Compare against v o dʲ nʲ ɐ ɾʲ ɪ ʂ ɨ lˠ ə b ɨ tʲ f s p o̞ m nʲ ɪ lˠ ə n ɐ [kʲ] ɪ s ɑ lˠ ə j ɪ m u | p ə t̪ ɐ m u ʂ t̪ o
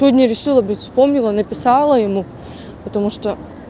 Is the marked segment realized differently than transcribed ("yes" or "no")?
yes